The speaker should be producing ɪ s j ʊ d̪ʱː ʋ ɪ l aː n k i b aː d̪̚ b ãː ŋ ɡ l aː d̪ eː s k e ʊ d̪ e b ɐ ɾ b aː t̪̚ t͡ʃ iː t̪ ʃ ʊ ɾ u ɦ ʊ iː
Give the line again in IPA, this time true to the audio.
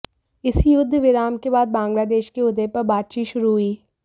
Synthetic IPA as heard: ɪ s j ʊ d̪ʱː ʋ ɪ ɾ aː m k e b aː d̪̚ b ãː ŋ ɡ l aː d̪ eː ʃ k e ʊ d̪ e p ɐ ɾ b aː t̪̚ t͡ʃ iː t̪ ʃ ʊ ɾ u ɦ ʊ iː